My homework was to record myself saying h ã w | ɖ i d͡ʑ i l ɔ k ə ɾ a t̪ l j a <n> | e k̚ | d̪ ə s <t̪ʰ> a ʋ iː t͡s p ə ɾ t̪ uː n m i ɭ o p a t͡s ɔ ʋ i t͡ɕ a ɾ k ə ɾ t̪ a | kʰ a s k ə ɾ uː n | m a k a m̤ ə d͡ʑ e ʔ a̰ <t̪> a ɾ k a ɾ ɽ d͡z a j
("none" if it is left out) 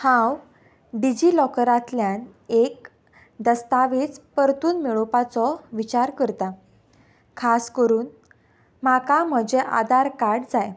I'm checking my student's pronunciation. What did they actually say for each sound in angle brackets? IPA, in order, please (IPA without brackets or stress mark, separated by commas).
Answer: n, t̪, d̪